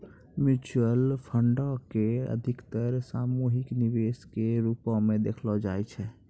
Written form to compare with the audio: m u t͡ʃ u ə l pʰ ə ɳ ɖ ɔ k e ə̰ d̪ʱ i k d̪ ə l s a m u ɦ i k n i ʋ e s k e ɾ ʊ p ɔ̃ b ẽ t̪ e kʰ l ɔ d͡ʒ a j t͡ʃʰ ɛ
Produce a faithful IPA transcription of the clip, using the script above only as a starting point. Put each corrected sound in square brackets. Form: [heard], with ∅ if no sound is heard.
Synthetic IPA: m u t͡ʃ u ə l pʰ ə ɳ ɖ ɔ k e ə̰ d̪ʱ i k [t̪] ə [ɾ] s a m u ɦ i k n i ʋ e s k e ɾ [u] p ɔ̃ [m] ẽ [d̪] e kʰ l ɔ d͡ʒ a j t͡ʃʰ ɛ